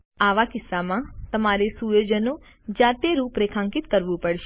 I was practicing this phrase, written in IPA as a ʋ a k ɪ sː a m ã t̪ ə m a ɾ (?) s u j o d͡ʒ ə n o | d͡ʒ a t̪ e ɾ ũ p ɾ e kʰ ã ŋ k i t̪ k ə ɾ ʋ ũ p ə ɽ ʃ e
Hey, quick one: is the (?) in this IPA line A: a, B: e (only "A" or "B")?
B